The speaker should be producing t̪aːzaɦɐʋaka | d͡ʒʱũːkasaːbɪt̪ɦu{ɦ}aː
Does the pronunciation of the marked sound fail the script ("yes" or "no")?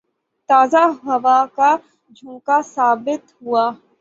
yes